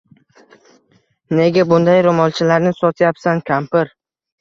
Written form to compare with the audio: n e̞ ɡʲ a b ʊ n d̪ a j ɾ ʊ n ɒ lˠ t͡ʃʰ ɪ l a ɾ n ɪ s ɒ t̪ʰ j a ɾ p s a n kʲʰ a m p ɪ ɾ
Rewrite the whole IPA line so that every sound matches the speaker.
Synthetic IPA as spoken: n e̞ ɡʲ a b ʊ n d̪ a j ɾ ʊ m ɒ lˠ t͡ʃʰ ɪ l a ɾ n ɪ s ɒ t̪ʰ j a p s a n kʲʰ a m p ɪ ɾ